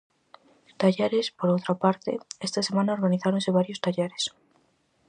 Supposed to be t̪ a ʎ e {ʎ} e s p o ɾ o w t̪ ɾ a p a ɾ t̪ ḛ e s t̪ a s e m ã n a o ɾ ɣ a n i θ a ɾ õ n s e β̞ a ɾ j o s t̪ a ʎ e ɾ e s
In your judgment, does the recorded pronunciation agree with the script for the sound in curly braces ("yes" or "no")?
no